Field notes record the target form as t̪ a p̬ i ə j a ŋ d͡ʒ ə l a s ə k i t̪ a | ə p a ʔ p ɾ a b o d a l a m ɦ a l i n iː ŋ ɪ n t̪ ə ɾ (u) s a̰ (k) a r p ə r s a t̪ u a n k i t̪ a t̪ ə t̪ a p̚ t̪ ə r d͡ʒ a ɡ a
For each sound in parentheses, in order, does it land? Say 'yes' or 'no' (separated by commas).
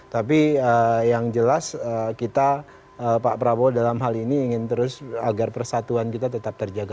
no, no